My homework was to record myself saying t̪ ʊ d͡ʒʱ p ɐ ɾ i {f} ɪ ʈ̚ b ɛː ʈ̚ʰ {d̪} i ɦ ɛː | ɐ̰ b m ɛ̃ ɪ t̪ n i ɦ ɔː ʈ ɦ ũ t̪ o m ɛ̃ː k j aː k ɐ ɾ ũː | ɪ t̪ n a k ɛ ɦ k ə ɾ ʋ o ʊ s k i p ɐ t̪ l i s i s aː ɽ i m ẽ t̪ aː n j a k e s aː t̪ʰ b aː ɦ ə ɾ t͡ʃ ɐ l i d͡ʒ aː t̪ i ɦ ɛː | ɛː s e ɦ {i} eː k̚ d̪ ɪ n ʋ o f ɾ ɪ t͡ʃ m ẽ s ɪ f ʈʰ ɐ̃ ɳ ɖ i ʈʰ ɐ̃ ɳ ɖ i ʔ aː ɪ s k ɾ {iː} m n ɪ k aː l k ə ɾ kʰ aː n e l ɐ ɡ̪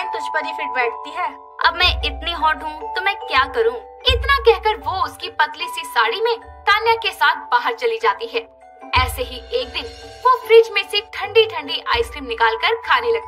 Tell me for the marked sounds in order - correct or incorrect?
correct, incorrect: t̪, correct, correct

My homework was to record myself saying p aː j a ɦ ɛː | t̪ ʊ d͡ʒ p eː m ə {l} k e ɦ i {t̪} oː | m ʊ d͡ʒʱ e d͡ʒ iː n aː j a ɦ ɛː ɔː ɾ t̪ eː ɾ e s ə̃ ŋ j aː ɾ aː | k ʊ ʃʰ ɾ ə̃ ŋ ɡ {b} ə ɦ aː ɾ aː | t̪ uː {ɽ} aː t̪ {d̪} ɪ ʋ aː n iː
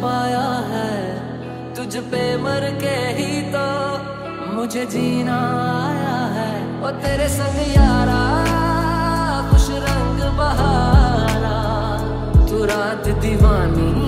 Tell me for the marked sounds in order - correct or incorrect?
incorrect: ɾ, correct, correct, incorrect: ɾ, correct

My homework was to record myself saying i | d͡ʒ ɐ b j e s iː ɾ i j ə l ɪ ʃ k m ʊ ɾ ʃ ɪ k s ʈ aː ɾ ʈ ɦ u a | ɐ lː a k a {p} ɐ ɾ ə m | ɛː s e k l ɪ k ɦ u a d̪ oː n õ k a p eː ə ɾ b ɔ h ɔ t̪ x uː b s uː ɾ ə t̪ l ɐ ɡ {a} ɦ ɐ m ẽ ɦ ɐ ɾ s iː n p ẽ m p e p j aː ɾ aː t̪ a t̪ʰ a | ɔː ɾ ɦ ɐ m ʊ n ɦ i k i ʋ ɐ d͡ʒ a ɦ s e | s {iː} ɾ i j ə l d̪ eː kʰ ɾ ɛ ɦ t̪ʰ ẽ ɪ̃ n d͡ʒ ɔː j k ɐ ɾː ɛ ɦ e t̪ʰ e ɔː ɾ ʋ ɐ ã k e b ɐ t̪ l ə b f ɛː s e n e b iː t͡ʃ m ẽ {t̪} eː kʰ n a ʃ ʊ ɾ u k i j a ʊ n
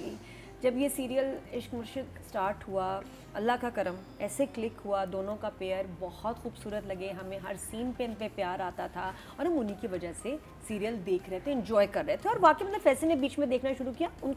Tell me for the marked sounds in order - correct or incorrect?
incorrect: k, incorrect: e, correct, incorrect: d̪

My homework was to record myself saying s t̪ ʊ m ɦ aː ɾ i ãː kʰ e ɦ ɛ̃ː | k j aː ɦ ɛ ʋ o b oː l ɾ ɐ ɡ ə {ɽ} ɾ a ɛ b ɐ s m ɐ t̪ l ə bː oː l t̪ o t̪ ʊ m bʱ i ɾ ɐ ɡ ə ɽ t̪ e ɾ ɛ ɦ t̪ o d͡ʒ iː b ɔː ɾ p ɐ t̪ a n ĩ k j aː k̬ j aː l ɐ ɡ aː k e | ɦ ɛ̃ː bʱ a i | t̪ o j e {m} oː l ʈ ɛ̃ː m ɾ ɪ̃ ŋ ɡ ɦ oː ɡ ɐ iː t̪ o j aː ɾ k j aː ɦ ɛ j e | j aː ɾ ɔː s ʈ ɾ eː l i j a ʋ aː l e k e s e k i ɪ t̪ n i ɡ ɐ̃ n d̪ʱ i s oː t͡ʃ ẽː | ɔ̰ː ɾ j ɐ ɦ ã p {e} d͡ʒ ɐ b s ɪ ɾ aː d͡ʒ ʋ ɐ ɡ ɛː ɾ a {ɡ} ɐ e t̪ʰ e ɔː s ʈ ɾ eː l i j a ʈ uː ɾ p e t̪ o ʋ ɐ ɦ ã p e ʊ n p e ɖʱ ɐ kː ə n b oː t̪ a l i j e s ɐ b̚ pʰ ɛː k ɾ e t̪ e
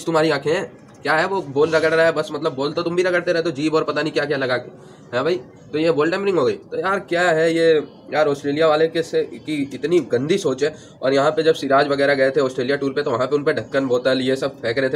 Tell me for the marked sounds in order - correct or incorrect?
correct, incorrect: b, correct, correct

